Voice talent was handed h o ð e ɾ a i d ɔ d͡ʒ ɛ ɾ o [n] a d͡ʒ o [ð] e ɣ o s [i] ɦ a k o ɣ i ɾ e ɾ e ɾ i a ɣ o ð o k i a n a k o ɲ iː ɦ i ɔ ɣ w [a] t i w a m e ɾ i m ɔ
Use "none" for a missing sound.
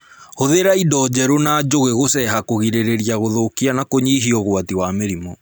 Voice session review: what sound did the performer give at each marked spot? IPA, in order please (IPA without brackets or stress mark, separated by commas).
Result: n, ɣ, ɛ, a